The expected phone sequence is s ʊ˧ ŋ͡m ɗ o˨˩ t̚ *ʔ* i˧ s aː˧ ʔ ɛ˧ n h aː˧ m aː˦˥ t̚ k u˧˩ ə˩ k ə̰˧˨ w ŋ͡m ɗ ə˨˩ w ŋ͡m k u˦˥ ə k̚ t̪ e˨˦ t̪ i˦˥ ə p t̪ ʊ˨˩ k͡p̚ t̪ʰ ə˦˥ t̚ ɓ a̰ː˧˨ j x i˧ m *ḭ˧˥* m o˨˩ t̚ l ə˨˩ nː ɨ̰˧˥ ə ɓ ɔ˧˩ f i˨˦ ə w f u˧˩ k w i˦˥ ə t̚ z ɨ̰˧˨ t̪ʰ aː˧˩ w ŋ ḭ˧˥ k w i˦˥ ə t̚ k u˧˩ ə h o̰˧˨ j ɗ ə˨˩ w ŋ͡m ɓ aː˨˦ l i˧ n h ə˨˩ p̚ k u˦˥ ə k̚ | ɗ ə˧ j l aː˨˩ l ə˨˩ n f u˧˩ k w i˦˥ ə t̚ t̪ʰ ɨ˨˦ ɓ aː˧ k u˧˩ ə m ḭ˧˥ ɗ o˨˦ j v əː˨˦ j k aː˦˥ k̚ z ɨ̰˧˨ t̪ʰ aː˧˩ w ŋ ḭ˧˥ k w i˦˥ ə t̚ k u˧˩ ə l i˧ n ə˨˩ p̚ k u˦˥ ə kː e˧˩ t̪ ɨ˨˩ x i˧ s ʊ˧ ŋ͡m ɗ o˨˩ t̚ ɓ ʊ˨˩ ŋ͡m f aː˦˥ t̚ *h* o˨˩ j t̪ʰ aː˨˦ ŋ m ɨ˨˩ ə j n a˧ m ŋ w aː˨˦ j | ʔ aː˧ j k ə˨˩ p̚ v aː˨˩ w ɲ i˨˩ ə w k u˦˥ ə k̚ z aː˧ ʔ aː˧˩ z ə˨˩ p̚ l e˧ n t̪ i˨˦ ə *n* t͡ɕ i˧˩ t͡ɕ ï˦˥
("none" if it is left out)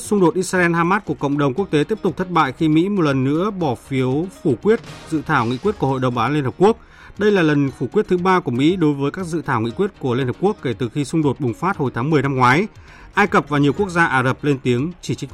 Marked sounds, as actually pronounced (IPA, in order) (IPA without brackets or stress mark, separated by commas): ʔ, ḭ˧˥, h, ŋ